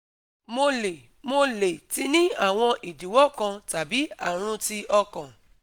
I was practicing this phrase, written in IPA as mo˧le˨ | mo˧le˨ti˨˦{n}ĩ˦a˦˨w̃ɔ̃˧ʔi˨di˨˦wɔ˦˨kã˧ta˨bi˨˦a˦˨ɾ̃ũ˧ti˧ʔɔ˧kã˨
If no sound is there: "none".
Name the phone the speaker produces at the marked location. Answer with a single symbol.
n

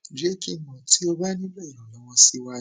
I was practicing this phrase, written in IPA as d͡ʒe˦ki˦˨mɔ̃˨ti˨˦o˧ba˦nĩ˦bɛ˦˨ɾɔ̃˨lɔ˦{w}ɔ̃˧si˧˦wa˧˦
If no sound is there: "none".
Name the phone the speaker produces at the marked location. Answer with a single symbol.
w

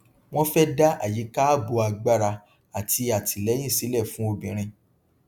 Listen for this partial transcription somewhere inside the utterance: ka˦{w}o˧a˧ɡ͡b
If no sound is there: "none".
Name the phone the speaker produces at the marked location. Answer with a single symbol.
b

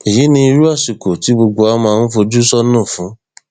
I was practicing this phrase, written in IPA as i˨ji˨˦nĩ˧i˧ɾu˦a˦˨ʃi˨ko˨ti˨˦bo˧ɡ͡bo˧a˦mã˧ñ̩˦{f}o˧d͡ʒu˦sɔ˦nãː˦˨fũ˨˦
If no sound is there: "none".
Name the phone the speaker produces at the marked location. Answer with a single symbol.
f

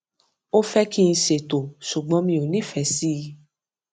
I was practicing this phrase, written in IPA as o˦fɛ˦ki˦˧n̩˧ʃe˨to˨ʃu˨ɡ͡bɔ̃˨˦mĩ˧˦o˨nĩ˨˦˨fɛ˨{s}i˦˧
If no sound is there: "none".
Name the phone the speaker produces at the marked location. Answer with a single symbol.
s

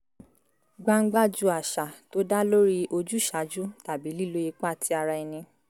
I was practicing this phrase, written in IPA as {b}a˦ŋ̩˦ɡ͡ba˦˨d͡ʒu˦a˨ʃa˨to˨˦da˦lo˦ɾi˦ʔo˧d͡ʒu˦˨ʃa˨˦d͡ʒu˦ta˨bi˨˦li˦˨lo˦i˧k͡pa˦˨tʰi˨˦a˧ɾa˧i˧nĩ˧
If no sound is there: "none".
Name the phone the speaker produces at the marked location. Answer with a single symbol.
ɡ͡b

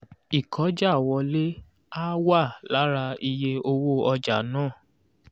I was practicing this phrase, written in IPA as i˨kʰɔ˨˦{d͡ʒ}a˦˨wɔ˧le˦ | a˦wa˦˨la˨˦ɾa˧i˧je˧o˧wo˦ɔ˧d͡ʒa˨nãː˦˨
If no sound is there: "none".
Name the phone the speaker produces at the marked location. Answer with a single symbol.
d͡ʒ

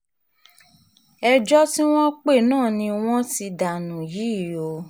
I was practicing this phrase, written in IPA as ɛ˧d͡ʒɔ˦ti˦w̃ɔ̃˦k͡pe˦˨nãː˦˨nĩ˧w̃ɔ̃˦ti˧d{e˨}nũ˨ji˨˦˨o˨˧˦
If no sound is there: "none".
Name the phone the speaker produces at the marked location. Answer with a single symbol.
a˨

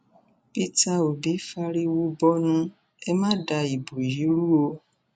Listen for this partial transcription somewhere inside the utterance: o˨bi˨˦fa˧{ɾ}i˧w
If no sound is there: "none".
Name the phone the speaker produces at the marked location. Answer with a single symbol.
ɾ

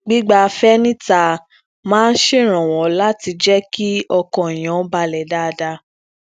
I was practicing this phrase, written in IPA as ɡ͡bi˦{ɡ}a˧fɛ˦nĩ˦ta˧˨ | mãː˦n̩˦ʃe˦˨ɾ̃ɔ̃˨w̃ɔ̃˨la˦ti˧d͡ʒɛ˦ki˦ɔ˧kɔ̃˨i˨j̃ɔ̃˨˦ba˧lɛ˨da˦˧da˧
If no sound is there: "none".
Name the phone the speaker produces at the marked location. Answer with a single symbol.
ɡ͡b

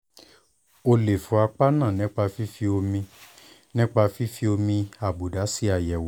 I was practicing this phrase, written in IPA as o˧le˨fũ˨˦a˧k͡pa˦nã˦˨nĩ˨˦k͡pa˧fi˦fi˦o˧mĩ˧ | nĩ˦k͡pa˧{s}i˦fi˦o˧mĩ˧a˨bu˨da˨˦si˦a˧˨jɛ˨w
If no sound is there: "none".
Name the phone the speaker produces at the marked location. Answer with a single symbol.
f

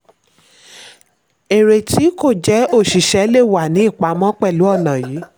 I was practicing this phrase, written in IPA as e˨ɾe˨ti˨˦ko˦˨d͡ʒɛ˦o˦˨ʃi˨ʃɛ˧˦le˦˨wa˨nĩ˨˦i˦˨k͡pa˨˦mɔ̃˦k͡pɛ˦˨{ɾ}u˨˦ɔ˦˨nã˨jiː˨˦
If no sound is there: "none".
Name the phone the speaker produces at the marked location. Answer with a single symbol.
l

